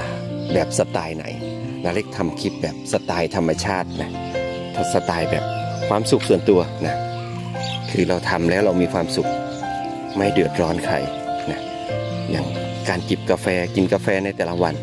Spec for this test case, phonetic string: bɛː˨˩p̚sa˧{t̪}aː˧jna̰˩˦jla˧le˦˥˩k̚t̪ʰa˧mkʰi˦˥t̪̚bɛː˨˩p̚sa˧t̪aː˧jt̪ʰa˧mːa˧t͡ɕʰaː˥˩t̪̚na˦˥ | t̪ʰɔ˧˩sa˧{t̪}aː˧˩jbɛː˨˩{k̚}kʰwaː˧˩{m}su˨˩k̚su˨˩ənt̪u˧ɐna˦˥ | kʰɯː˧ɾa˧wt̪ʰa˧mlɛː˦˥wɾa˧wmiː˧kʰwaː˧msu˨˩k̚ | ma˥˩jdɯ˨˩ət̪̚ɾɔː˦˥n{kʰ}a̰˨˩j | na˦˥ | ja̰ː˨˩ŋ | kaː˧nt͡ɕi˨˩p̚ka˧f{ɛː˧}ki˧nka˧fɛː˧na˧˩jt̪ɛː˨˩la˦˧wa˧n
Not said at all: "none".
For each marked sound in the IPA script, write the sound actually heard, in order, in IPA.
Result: t̪, t̪, p̚, m, kʰ, ɛː˧

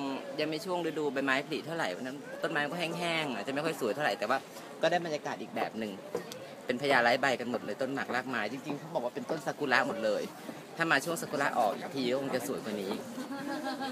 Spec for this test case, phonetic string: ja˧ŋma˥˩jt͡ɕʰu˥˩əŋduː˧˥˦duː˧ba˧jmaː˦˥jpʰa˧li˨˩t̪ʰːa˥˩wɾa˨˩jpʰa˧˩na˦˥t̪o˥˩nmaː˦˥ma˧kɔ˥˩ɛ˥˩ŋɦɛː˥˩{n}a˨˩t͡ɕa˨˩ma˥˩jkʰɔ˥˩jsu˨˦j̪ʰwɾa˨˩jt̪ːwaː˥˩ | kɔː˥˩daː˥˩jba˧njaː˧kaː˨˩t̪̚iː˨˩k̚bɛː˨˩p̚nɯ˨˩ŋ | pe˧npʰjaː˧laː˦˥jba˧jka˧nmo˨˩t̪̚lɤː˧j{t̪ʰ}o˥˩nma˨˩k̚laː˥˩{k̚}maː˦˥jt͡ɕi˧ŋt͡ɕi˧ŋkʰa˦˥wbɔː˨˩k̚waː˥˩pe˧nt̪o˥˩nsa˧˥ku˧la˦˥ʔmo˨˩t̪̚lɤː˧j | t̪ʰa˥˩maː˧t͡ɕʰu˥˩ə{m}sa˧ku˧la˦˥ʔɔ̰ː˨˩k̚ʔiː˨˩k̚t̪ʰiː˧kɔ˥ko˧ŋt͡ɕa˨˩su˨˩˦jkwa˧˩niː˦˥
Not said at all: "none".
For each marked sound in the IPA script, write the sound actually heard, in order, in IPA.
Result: ŋ, t̪, k̚, ŋ

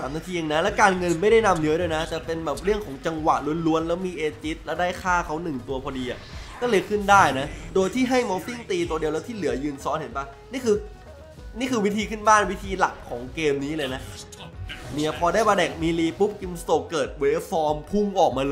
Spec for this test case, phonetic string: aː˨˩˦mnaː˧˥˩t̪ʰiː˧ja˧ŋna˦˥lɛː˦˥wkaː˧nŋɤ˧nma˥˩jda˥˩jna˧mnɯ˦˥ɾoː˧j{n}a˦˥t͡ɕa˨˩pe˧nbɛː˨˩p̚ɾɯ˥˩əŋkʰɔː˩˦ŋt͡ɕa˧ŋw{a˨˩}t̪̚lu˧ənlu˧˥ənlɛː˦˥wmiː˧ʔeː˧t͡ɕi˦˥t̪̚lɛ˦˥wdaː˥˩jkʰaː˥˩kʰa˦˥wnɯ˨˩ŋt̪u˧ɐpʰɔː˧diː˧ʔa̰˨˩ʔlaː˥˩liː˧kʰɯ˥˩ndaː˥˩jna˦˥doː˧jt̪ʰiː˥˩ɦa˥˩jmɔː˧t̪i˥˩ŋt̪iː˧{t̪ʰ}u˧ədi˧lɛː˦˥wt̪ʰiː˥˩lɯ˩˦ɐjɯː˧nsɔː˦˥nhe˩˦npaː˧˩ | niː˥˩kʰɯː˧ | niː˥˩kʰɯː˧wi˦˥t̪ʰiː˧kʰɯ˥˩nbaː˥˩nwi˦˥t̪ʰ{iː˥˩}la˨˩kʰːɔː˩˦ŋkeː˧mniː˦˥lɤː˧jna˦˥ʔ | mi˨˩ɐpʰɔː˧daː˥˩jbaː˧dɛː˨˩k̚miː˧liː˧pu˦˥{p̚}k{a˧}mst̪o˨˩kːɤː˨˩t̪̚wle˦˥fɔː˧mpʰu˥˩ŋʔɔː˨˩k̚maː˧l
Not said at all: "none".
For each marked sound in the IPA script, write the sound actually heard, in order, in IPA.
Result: n, a˨˩, t̪, iː˧, p̚, i˧

